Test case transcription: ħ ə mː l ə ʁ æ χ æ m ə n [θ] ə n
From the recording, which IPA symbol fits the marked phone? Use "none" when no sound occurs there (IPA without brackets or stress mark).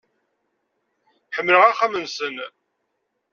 s